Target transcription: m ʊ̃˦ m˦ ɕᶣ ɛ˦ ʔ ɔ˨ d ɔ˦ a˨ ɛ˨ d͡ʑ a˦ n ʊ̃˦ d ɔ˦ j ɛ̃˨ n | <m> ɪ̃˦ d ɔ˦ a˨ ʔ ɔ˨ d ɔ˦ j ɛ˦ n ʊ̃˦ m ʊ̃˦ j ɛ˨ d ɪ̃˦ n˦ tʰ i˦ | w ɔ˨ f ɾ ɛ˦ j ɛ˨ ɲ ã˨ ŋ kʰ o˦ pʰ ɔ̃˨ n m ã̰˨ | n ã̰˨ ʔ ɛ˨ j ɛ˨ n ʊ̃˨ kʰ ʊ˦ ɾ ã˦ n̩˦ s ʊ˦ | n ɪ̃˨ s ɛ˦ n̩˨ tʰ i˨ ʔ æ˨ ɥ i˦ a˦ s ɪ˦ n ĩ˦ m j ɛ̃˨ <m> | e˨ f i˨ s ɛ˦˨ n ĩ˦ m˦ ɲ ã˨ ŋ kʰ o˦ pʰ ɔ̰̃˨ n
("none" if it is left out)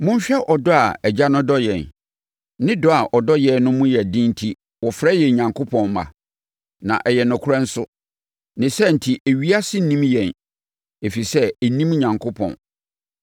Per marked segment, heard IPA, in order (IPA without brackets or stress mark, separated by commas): n, n